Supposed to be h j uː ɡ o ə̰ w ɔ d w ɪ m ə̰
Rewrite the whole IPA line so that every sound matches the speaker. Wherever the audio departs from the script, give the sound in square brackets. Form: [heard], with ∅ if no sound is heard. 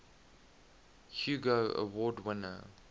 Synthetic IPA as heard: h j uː ɡ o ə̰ w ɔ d w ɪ [n] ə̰